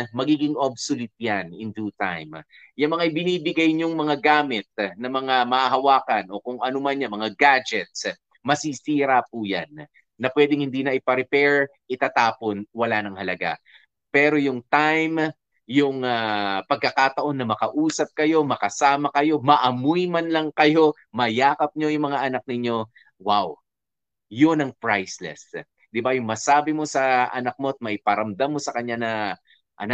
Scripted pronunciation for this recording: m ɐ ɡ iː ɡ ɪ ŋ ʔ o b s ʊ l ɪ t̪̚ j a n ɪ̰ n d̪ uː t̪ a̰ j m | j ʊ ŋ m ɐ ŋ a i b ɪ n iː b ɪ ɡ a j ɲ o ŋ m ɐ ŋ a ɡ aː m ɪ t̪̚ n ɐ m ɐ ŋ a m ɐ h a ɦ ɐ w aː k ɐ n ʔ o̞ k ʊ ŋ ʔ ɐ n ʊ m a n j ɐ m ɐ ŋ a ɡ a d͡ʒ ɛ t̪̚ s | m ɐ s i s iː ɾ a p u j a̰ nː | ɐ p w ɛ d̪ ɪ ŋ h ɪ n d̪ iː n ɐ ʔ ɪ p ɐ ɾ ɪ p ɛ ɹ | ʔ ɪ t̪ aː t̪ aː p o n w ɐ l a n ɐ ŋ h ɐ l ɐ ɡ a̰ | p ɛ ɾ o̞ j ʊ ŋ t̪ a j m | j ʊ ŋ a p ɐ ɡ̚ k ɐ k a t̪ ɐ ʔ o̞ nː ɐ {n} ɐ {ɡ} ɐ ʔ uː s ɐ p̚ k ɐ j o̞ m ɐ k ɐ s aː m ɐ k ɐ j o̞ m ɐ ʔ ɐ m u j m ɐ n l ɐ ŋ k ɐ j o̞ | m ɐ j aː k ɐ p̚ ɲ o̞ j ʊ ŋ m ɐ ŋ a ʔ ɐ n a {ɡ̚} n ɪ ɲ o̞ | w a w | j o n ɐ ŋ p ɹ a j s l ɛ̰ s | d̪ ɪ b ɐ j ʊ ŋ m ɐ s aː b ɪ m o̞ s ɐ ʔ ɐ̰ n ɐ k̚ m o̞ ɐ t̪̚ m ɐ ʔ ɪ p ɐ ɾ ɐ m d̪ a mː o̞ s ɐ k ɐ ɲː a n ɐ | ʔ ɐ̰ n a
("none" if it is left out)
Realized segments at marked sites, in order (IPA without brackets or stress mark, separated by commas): m, k, k̚